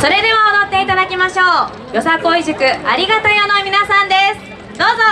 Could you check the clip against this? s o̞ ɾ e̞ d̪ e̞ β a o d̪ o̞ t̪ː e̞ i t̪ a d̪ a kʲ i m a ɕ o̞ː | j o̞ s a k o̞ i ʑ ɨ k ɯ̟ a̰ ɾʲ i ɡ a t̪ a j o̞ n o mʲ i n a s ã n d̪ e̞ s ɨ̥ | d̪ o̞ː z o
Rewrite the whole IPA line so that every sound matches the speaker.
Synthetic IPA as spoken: s o̞ ɾ e̞ d̪ e̞ β a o d̪ o̞ t̪ː e̞ i t̪ a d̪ a kʲ i m a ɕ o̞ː | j o̞ s a k o̞ i ʑ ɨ k ɯ̟ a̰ ɾʲ i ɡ a t̪ a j o̞ n o mʲ i n a s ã n d̪ e̞ s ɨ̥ | d̪ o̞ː z o

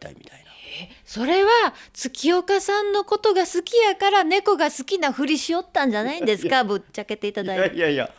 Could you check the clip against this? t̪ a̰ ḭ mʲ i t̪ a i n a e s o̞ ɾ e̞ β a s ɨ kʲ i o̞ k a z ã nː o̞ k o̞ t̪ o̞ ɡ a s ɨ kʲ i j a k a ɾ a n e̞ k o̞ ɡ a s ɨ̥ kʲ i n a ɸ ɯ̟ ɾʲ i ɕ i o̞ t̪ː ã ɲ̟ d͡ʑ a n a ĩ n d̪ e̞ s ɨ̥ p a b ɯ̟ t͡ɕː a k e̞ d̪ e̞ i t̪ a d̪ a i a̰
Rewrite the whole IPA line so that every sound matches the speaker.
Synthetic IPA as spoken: t̪ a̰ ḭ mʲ i t̪ a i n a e s o̞ ɾ e̞ β a t͡s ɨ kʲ i o̞ k a s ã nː o̞ k o̞ t̪ o̞ ɡ a s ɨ kʲ i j a k a ɾ a n e̞ k o̞ ɡ a s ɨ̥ kʲ i n a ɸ ɯ̟ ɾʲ i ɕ i o̞ t̪ː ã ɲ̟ d͡ʑ a n a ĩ n d̪ e̞ s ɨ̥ k a b ɯ̟ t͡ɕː a k e̞ t̪ e̞ i t̪ a d̪ a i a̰

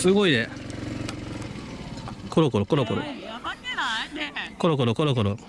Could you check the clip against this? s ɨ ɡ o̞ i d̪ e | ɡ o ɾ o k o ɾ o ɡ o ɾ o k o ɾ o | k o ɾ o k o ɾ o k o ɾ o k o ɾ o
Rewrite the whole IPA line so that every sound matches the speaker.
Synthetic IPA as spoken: s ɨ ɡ o̞ i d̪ e | k o ɾ o k o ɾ o k o ɾ o k o ɾ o | k o ɾ o k o ɾ o k o ɾ o k o ɾ o

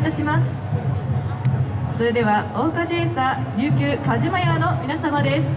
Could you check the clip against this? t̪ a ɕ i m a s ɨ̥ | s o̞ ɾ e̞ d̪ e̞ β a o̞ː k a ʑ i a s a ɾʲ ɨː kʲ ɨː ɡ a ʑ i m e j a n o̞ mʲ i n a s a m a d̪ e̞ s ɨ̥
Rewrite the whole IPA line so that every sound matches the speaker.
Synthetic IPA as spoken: t̪ a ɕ i m a s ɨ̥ | s o̞ ɾ e̞ d̪ e̞ β a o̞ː k a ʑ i e s a ɾʲ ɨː kʲ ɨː k a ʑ i m a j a n o̞ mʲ i n a s a m a d̪ e̞ s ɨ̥

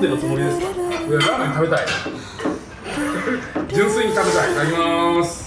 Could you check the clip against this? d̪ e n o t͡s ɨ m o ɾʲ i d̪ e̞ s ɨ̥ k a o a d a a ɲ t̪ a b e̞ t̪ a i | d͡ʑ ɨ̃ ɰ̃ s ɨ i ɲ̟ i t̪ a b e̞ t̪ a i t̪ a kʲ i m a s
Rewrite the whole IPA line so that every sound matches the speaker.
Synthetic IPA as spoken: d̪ e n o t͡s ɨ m o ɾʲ i d̪ e̞ s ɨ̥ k a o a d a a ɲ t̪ a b e̞ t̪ a i | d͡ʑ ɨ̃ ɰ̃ s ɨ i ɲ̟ i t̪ a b e̞ t̪ a i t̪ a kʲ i m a s

